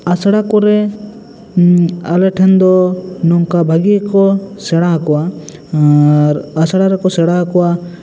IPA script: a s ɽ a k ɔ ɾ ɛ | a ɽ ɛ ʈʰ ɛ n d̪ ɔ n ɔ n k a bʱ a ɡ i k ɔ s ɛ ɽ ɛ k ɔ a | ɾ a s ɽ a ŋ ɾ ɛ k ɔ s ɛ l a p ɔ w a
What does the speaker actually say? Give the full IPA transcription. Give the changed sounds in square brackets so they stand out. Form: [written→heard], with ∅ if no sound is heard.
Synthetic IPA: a s ɽ a k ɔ ɾ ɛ | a [ɽ→l] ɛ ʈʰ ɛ n d̪ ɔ n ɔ [n→ŋ] k a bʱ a ɡ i k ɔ s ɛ ɽ [ɛ→a] k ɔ a | ɾ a s ɽ a [ŋ→∅] ɾ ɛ k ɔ s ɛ [l→ɽ] a [p→k] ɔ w a

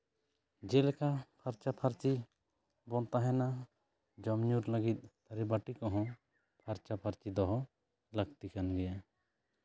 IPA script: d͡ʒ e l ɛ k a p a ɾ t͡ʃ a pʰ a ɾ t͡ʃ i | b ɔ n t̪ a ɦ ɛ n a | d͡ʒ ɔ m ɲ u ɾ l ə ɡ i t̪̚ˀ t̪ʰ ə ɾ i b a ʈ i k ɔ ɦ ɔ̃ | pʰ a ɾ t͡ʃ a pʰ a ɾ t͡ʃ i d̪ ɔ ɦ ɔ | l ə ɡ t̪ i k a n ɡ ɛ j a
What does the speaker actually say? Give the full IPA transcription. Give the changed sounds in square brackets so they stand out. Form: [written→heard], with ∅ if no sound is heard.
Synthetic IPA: d͡ʒ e l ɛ k a [p→pʰ] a ɾ t͡ʃ a pʰ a ɾ t͡ʃ i | b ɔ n t̪ a ɦ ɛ n a | d͡ʒ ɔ m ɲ u ɾ l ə ɡ i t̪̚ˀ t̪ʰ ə ɾ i b a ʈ i k ɔ ɦ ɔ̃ | pʰ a ɾ t͡ʃ a pʰ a ɾ t͡ʃ i d̪ ɔ ɦ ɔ | l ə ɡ t̪ i k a n ɡ ɛ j a

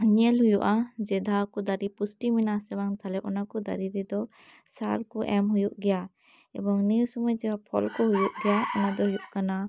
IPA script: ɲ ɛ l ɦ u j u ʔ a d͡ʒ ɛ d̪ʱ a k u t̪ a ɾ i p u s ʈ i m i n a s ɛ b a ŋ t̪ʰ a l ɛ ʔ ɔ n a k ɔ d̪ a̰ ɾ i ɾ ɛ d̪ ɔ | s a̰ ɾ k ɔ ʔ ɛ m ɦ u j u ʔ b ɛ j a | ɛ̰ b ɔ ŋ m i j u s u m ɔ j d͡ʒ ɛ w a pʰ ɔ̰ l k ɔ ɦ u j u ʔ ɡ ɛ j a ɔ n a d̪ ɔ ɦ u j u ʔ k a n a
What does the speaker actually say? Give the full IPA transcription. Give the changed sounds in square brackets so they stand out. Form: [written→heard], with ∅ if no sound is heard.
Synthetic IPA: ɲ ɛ l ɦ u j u ʔ a d͡ʒ ɛ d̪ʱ a k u [t̪→d̪] a ɾ i p u s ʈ i m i n a s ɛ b a ŋ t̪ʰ a l ɛ ʔ ɔ n a k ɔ d̪ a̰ ɾ i ɾ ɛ d̪ ɔ | s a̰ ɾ k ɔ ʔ ɛ m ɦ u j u ʔ [b→ɡ] ɛ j a | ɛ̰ b ɔ ŋ [m→n] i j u s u m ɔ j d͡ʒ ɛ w a pʰ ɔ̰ l k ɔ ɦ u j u ʔ ɡ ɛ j a ɔ n a d̪ ɔ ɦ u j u ʔ k a n a

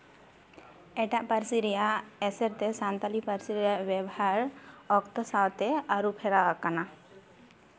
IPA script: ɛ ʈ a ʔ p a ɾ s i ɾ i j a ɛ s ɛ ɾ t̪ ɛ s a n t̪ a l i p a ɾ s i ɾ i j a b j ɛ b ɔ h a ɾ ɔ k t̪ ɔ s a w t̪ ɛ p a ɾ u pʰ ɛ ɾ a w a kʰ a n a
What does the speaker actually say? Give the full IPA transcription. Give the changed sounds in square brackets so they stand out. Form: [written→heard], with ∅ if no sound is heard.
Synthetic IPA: ɛ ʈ a ʔ p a ɾ s i ɾ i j a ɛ s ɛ ɾ t̪ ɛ s a n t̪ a l i p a ɾ s i ɾ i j a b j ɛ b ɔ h a ɾ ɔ k t̪ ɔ s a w t̪ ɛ [p→∅] a ɾ u pʰ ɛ ɾ a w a [kʰ→k] a n a

